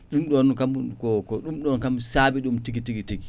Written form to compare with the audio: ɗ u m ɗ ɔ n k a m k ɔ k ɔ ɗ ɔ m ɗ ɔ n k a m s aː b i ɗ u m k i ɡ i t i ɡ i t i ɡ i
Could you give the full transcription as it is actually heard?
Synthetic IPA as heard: ɗ u m ɗ ɔ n k a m k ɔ k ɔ ɗ u m ɗ ɔ n k a m s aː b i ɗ u m t i ɡ i t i ɡ i t i ɡ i